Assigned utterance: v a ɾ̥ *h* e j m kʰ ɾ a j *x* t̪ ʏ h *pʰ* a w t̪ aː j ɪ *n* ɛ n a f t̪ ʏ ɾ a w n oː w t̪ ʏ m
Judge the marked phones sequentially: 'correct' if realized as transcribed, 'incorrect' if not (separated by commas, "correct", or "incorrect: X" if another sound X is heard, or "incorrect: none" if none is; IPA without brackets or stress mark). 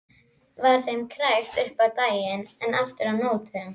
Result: incorrect: θ, correct, incorrect: p, correct